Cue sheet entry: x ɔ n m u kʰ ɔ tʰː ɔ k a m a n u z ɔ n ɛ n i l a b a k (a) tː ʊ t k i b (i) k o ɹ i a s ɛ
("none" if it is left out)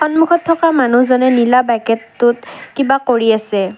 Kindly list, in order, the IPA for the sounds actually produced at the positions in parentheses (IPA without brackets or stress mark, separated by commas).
ɛ, a